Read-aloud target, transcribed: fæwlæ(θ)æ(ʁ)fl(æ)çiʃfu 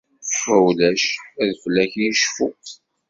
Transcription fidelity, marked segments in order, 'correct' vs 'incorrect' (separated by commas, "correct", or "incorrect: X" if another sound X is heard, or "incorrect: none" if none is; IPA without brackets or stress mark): incorrect: ʃ, incorrect: ð, correct